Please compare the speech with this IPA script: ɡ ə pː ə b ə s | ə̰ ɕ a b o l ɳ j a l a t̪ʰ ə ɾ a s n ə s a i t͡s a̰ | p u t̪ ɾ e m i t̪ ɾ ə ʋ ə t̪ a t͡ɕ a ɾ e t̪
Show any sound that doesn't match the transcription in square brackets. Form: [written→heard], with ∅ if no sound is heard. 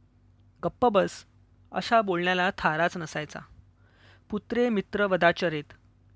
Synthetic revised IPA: ɡ ə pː ə b ə s | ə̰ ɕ a b o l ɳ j a l a t̪ʰ [ə→a] ɾ a [s→t͡s] n ə s a [i→j] t͡s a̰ | p u t̪ ɾ e m i t̪ ɾ ə ʋ ə [t̪→d̪] a t͡ɕ [a→ə] ɾ e t̪

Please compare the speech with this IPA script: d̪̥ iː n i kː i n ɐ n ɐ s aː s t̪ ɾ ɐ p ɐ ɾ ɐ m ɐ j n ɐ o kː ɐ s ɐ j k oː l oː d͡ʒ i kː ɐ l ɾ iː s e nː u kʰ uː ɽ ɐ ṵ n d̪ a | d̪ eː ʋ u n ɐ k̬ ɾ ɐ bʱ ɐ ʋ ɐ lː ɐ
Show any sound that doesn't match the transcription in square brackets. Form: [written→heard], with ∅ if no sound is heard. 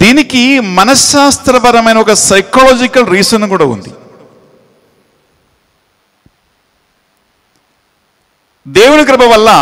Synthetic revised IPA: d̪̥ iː n i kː i [n→m] ɐ n ɐ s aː s t̪ ɾ ɐ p ɐ ɾ ɐ m ɐ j n ɐ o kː ɐ s ɐ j k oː l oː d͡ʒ i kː ɐ l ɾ iː s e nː u [kʰ→k] uː ɽ ɐ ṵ n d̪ [a→i] | d̪ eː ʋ u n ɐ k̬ ɾ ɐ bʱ ɐ ʋ ɐ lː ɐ

